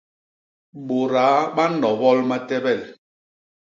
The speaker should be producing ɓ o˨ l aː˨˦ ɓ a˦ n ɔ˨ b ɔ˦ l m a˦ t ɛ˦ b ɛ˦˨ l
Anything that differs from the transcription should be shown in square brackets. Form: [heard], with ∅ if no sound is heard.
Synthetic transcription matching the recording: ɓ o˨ [ɾ] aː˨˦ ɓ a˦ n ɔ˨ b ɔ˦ l m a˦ t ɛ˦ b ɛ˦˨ l